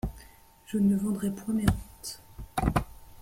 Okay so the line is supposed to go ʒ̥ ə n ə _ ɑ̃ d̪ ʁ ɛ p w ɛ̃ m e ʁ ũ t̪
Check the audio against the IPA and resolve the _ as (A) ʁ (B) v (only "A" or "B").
B